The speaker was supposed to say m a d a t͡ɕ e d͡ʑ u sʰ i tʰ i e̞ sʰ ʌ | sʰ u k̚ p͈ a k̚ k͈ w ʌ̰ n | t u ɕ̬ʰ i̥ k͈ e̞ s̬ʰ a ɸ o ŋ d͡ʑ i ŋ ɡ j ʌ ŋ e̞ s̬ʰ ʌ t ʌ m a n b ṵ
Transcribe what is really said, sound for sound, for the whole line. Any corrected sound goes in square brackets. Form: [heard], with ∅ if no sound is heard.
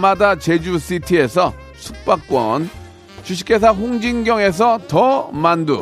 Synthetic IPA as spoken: m a d a t͡ɕ e d͡ʑ u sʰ i tʰ i e̞ sʰ ʌ | sʰ u k̚ p͈ a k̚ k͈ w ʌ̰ n | [t͡ɕ] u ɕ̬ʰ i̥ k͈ e̞ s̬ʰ a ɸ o ŋ d͡ʑ i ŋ ɡ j ʌ ŋ e̞ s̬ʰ ʌ t ʌ m a n [d] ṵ